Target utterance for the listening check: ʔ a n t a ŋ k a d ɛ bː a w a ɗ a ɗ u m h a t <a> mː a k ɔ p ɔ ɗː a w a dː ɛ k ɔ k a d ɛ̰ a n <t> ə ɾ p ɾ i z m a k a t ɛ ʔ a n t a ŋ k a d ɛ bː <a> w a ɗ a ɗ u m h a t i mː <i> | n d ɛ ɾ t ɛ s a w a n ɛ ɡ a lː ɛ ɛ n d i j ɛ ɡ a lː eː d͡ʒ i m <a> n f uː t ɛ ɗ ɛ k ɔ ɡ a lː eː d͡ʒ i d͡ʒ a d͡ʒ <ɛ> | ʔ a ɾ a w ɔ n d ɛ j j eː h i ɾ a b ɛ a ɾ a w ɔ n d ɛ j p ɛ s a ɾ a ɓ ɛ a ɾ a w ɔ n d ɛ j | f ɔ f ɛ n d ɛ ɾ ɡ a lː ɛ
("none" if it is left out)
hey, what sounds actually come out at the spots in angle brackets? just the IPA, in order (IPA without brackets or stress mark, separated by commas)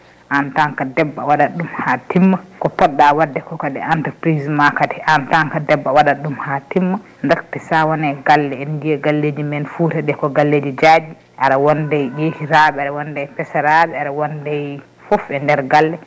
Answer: i, t, a, a, ɛ, i